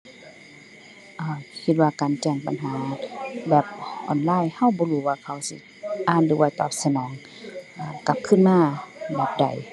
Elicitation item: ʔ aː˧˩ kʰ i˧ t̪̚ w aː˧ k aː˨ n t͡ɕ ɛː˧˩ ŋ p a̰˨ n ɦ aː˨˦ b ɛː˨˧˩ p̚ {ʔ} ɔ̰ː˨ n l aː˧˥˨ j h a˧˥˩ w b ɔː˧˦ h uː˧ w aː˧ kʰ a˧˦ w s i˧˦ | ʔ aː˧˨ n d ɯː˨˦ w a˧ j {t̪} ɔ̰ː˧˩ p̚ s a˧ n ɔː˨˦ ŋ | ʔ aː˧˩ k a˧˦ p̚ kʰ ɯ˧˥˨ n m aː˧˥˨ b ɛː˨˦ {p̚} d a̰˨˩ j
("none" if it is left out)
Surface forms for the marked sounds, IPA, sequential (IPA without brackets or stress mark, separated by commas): ʔ, t̪, p̚